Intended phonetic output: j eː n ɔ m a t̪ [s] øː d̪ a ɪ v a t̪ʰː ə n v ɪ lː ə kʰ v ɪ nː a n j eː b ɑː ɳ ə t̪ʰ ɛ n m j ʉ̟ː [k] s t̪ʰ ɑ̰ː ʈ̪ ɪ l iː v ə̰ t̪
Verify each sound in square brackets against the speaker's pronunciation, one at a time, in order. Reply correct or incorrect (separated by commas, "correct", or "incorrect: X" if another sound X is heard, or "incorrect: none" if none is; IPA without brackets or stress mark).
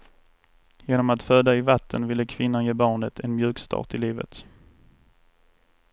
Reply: incorrect: f, correct